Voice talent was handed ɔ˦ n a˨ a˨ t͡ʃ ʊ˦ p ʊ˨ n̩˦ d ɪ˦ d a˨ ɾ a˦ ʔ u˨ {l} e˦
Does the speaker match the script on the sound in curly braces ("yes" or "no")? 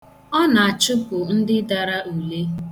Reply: yes